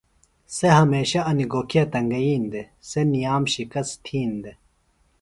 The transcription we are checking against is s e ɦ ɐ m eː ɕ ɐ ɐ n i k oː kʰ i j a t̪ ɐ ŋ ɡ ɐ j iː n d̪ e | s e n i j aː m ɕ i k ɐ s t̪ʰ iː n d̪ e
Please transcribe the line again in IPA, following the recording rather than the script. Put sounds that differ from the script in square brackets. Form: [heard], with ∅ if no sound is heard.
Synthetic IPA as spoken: s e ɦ ɐ m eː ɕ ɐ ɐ n i [ɡ] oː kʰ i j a t̪ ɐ ŋ ɡ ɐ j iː n d̪ e | s e n i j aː m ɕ i k ɐ s t̪ʰ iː n d̪ e